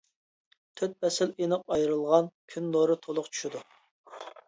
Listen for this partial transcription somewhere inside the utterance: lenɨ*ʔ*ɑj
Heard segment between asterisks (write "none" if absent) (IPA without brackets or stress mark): q